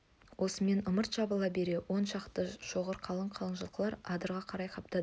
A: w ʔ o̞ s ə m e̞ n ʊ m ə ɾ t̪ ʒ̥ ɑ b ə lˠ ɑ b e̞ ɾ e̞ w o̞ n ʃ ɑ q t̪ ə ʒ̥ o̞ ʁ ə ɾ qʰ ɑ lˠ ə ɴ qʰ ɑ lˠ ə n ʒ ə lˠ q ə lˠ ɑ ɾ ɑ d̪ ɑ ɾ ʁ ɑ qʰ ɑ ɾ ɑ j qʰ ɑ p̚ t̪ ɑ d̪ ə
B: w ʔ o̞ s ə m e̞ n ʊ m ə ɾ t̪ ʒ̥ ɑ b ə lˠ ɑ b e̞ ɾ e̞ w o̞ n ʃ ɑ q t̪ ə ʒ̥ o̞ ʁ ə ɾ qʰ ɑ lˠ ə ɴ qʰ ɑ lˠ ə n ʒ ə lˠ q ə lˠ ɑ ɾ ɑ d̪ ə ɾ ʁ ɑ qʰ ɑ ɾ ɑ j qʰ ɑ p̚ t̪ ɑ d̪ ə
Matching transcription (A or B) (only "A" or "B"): B